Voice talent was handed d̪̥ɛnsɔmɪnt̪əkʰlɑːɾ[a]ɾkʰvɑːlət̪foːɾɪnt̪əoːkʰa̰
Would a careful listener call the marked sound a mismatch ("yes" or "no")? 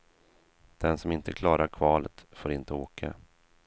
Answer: no